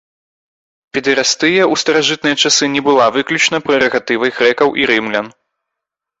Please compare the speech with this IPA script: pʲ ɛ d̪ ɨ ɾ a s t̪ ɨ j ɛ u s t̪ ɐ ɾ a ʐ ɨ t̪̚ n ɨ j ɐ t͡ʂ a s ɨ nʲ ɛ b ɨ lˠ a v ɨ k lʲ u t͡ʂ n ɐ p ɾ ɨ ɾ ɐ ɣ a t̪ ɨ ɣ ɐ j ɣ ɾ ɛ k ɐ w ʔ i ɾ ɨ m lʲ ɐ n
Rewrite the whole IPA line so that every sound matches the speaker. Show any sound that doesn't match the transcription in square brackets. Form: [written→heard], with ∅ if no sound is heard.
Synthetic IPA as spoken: pʲ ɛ d̪ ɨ ɾ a s t̪ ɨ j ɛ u s t̪ ɐ ɾ a ʐ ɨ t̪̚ n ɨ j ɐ t͡ʂ a s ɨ nʲ ɛ b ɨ lˠ a v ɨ k lʲ u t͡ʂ n ɐ p ɾ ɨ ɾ ɐ ɣ a t̪ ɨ [ɣ→v] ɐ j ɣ ɾ ɛ k ɐ w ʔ i ɾ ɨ m lʲ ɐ n